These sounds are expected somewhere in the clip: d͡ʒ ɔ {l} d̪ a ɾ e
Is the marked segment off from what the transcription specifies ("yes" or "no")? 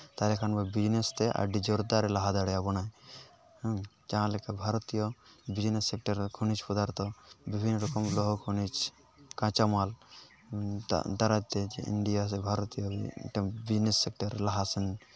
yes